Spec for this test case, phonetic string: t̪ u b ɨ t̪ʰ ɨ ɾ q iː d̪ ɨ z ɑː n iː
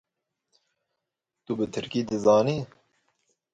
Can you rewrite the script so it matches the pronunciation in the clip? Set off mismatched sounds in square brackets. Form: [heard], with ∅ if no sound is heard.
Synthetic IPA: t̪ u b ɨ t̪ʰ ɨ ɾ [k] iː d̪ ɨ z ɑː n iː